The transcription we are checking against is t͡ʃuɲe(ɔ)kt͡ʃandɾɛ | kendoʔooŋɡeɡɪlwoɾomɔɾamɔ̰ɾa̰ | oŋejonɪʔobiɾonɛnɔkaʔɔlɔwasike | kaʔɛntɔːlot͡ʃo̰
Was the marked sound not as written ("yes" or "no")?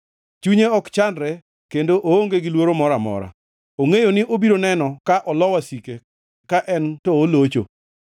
no